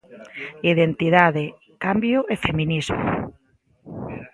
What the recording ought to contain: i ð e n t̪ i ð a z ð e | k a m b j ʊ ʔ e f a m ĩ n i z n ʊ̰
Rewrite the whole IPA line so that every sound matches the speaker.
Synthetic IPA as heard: i ð e n t̪ i ð a ð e | k a m b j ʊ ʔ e f e m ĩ n i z m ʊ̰